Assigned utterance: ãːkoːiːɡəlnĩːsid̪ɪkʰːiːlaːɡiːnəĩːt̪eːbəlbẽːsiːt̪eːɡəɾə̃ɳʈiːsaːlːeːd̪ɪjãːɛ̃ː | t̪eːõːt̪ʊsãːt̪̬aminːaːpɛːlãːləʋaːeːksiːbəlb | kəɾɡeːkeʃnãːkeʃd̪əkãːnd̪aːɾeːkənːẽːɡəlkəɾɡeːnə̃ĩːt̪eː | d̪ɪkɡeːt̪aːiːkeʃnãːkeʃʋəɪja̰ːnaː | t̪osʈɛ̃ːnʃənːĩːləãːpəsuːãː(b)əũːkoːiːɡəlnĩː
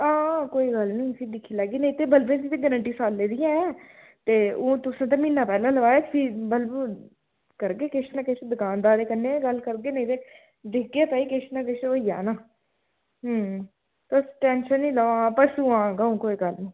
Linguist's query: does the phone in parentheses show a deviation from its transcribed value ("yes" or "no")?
yes